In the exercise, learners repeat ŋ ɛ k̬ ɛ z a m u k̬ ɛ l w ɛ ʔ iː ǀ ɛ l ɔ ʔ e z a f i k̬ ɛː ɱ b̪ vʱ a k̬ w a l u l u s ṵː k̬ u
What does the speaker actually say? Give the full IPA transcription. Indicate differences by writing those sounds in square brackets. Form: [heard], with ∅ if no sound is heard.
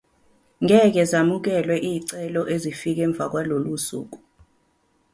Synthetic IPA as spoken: ŋ ɛ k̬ ɛ z a m u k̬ ɛ l w ɛ ʔ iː ǀ ɛ l ɔ ʔ e z [i] f i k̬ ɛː ɱ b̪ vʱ a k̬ w a l [o] l u s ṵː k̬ u